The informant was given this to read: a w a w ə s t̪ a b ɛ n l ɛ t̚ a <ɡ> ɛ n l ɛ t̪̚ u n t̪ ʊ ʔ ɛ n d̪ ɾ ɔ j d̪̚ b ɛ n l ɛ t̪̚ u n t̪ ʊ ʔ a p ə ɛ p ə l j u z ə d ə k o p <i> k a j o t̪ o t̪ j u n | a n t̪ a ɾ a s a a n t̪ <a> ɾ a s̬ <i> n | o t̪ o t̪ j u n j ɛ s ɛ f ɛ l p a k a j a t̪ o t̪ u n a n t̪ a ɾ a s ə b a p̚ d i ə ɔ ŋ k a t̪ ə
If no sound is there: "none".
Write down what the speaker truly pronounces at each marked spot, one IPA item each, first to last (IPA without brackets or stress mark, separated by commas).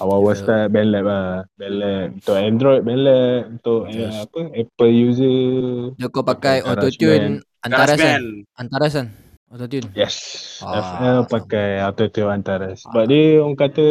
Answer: b, a, a, a